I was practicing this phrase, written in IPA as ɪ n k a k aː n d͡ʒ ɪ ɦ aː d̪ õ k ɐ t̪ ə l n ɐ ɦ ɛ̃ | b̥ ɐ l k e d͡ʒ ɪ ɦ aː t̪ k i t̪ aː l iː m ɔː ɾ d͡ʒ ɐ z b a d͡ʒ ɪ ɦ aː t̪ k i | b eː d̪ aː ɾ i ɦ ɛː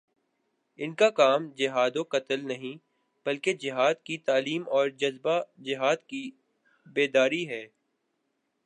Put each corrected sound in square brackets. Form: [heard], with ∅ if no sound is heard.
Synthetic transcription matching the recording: ɪ n k a k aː [m] d͡ʒ ɪ ɦ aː d̪ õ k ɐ t̪ ə l n ɐ ɦ [ĩ] | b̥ ɐ l k e d͡ʒ ɪ ɦ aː [d̪] k i t̪ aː l iː m ɔː ɾ d͡ʒ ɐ z b a d͡ʒ ɪ ɦ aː [d̪] k i | b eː d̪ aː ɾ i ɦ ɛː